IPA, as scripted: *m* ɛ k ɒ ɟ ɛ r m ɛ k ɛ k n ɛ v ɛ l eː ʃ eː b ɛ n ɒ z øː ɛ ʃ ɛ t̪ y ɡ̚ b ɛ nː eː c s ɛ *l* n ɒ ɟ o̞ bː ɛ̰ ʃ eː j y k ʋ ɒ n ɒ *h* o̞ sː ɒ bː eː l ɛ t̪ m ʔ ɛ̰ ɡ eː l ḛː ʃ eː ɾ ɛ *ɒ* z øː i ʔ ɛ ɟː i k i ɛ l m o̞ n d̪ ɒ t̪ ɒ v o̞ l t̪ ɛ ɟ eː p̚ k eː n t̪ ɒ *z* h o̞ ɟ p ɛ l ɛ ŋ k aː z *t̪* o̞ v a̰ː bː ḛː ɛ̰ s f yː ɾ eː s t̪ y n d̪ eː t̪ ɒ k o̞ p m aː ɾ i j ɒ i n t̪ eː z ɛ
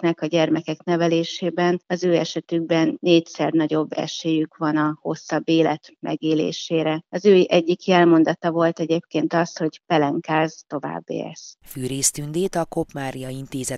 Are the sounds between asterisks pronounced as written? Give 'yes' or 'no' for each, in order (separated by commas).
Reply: no, no, yes, yes, no, yes